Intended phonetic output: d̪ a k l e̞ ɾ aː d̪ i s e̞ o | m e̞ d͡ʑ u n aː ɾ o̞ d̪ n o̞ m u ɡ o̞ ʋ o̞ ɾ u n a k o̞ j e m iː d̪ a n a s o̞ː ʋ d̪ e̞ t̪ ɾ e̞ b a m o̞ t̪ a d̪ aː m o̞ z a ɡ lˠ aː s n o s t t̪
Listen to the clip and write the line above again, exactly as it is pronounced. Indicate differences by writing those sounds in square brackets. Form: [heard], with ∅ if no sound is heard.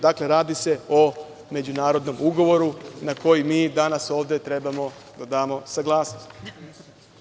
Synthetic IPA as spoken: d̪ a k l e̞ ɾ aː d̪ i s e̞ o | m e̞ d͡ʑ u n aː ɾ o̞ d̪ n o̞ m u ɡ o̞ ʋ o̞ ɾ u n a k o̞ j [i] m iː d̪ a n a s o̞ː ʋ d̪ e̞ t̪ ɾ e̞ b a m o̞ [d̪] a d̪ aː m o̞ [s] a ɡ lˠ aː s n o s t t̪